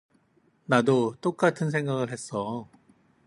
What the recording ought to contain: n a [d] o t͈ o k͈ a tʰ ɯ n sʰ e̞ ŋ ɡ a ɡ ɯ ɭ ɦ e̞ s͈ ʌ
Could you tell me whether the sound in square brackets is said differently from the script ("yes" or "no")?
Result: no